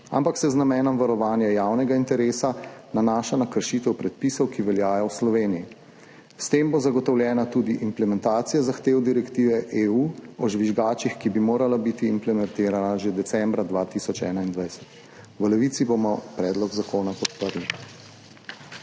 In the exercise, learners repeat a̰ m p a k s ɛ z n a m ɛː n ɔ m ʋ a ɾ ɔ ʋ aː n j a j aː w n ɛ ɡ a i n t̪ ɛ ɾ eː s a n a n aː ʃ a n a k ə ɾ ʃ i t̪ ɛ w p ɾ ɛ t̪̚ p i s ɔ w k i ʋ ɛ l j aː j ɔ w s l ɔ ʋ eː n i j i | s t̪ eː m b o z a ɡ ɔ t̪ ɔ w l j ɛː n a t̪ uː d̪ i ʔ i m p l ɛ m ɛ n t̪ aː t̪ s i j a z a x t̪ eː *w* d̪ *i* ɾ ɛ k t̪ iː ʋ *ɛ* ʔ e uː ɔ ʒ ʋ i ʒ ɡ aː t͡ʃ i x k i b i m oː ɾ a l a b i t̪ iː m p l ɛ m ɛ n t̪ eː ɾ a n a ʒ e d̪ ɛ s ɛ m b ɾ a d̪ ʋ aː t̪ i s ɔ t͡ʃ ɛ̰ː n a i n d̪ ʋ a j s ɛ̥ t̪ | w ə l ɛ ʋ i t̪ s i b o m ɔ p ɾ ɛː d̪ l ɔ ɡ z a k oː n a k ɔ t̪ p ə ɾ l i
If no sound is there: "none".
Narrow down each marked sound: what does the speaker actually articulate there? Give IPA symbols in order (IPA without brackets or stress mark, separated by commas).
w, i, ɛ